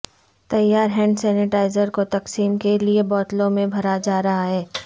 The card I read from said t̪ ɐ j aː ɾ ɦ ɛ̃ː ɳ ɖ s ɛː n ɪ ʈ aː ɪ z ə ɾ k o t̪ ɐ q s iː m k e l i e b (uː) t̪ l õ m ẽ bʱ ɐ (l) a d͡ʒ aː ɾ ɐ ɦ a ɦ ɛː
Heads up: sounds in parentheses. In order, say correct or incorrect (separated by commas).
incorrect, incorrect